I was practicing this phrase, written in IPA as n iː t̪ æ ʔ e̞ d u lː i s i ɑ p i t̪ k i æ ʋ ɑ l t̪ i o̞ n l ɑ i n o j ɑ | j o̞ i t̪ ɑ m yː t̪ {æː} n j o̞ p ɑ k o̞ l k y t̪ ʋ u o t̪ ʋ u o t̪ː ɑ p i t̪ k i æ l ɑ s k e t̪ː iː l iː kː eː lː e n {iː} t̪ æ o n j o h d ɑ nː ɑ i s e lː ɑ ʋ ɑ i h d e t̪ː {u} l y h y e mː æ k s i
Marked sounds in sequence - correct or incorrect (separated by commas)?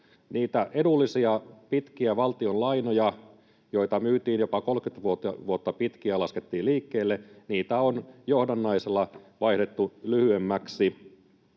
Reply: incorrect, correct, correct